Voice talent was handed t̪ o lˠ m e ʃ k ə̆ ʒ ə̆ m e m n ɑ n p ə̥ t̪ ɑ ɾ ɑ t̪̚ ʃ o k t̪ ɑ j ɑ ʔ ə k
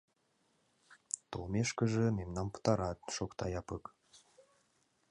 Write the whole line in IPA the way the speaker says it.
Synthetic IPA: t̪ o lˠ m e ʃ k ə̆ ʒ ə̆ m e m n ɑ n p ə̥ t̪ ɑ ɾ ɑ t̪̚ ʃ o k t̪ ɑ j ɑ p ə k